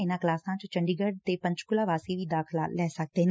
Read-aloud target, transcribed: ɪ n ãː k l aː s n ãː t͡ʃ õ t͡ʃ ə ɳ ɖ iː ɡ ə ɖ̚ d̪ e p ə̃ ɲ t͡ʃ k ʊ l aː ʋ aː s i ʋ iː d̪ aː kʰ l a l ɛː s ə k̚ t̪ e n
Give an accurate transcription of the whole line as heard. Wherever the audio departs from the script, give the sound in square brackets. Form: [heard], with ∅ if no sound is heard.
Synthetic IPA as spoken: ɪ n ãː k l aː s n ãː t͡ʃ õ t͡ʃ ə ɳ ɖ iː ɡ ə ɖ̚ [t̪] e p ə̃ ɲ t͡ʃ k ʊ l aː ʋ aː s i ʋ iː d̪ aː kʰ l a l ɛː s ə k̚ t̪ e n

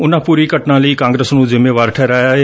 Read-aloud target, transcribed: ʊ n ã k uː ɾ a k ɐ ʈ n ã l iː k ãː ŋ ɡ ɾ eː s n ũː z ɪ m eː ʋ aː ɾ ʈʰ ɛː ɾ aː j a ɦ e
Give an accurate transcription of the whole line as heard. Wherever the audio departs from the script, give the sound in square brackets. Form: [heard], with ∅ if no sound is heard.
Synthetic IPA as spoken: ʊ n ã [p] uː ɾ [i] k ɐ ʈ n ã l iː k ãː ŋ ɡ ɾ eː s n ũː z ɪ m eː ʋ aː ɾ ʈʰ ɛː ɾ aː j a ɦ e

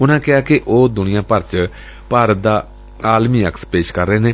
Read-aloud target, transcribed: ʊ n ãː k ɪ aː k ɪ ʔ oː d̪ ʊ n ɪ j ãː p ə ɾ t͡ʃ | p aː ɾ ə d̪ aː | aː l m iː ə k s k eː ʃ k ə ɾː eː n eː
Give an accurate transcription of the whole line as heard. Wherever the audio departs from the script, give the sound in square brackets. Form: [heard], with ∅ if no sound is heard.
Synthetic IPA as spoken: ʊ n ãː k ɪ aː k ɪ ʔ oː d̪ ʊ n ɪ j ãː p ə ɾ t͡ʃ | p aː ɾ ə d̪ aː | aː l m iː ə k s [p] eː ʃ k ə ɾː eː n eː

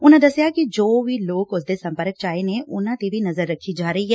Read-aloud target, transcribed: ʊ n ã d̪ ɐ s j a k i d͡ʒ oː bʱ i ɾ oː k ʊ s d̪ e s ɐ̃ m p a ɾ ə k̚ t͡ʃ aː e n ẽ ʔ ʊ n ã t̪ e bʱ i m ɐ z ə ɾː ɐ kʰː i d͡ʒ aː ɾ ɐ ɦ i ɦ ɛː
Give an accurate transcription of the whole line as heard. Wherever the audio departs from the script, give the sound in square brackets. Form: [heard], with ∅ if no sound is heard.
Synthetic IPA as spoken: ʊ n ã d̪ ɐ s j a k i d͡ʒ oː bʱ i [l] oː k ʊ s d̪ e s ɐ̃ m p [ə] ɾ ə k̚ t͡ʃ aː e n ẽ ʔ ʊ n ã t̪ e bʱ i [n] ɐ z ə ɾː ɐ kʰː i d͡ʒ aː ɾ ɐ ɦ i ɦ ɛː

